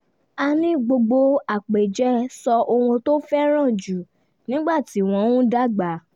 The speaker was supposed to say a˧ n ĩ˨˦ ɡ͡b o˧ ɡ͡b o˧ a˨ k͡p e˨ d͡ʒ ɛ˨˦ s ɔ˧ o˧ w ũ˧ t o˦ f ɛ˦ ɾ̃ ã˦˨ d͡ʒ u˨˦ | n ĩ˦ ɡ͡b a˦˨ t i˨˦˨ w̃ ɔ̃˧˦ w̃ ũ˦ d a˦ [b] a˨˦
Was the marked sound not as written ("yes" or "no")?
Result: yes